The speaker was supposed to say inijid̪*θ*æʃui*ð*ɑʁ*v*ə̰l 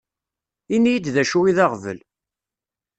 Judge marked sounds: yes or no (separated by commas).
no, yes, yes